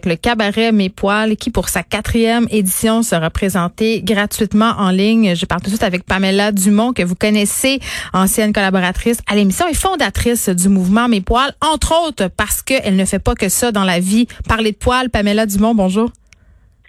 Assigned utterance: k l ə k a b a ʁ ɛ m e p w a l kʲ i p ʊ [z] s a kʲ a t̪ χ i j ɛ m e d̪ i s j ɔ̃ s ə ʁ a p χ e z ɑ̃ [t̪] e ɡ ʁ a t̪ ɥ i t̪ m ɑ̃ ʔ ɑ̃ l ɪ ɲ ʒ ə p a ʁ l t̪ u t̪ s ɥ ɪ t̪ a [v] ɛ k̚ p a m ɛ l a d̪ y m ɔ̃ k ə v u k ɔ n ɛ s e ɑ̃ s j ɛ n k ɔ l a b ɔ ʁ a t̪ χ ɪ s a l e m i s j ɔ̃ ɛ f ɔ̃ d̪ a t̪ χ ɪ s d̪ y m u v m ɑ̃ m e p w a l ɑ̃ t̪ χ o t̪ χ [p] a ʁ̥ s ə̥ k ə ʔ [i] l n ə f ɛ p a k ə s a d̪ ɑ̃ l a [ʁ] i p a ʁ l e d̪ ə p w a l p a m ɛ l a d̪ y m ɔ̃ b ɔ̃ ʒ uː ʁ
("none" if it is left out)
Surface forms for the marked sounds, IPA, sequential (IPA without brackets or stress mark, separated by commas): ʁ, t̪, v, p, ɛ, v